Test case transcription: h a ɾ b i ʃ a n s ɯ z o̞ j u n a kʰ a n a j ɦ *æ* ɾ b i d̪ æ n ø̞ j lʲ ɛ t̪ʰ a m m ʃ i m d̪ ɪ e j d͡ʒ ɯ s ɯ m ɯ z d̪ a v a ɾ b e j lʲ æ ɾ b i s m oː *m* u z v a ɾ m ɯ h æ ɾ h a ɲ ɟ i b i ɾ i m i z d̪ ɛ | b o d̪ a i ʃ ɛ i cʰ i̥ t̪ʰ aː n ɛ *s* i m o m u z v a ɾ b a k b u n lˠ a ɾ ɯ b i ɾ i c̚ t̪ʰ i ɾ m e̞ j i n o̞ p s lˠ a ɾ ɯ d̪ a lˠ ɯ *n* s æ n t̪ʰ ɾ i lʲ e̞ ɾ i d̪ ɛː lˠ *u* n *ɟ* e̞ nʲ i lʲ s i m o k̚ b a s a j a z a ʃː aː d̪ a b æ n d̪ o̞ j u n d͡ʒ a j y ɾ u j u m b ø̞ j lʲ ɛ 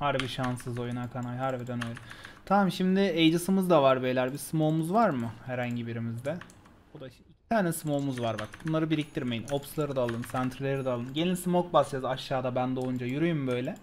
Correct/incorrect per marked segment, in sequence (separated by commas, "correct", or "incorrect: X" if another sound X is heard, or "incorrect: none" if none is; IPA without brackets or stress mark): incorrect: a, correct, correct, correct, incorrect: ɯ, correct